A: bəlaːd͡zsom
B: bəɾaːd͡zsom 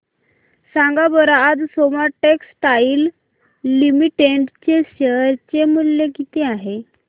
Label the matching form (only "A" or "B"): B